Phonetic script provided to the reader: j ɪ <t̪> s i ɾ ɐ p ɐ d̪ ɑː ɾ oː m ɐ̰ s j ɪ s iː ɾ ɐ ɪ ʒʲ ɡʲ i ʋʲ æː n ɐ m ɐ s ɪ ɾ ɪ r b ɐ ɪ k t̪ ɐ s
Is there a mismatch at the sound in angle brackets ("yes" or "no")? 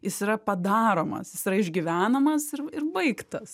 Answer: yes